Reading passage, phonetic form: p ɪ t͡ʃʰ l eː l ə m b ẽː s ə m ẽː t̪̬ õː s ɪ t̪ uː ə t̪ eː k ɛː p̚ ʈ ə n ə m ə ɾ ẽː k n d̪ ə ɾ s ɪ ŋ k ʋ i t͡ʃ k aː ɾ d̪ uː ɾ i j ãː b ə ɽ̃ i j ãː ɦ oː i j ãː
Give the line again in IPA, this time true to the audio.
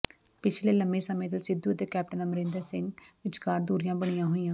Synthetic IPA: p ɪ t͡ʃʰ l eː l ə m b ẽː s ə m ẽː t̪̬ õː s ɪ d̪ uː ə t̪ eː k ɛː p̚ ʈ ə n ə m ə ɾ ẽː n d̪ ə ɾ s ɪ ŋ ɡ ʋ ɪ t͡ʃ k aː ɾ d̪ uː ɾ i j ãː b ə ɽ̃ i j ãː ɦ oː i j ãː